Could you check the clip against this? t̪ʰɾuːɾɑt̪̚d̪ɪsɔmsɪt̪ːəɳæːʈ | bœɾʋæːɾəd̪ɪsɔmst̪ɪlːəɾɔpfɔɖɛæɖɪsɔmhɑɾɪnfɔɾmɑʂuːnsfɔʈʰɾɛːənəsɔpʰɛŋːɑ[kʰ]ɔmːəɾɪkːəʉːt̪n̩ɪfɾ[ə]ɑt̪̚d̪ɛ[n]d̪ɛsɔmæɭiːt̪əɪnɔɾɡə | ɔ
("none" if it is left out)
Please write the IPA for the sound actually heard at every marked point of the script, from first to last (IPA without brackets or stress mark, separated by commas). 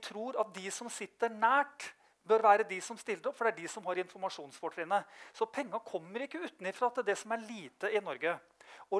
kʰ, ɑ, none